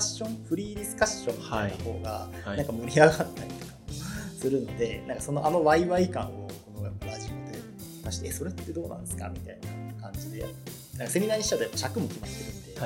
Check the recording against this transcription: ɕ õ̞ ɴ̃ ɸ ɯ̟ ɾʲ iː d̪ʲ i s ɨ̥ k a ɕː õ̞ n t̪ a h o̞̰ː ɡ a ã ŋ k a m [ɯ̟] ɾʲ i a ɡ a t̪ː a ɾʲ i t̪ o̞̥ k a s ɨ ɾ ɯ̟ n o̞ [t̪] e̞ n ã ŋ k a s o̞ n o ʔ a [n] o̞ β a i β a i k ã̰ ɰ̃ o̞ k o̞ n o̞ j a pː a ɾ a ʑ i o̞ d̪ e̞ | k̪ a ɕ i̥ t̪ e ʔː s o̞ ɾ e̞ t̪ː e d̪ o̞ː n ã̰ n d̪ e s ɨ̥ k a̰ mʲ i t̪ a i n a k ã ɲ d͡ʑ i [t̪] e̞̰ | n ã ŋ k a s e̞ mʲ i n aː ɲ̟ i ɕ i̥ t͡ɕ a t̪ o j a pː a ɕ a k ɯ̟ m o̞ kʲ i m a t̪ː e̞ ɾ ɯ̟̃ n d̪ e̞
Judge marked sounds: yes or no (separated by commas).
yes, no, yes, no